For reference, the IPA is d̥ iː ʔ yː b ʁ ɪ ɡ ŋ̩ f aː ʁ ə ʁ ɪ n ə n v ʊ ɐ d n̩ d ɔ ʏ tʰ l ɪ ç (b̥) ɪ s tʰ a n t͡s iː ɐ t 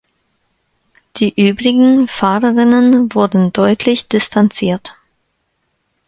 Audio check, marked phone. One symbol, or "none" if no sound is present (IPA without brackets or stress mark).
d̥